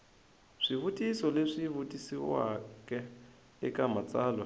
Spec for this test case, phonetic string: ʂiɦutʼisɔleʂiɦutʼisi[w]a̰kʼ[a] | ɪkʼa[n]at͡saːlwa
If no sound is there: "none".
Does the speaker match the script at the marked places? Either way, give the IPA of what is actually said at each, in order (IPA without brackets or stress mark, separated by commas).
w, ɛ, m